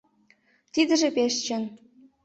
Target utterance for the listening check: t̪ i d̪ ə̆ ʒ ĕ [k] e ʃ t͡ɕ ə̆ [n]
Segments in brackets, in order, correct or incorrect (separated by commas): incorrect, correct